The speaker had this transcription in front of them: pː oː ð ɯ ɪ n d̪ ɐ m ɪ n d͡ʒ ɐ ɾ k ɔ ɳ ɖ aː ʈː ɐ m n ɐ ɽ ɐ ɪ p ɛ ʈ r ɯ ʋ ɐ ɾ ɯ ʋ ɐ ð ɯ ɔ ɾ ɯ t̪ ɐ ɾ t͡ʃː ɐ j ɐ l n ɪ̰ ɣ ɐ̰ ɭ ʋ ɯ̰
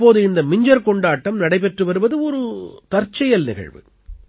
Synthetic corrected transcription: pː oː ð ɯ ɪ n d̪ ɐ m ɪ ɲ d͡ʒ ɐ ɾ k ɔ ɳ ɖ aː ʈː ɐ m n ɐ ɽ ɐ ɪ p ɛ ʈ r ɯ ʋ ɐ ɾ ɯ ʋ ɐ ð ɯ ɔ ɾ ɯ t̪ ɐ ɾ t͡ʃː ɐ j ɐ l n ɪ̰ ɣ ɐ̰ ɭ ʋ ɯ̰